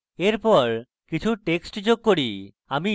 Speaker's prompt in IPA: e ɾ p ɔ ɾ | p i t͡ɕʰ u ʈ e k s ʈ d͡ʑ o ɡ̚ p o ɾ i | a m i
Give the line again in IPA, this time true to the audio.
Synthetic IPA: e ɾ p ɔ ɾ | k i t͡ɕʰ u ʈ e k s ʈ d͡ʑ o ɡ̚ k o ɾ i | a m i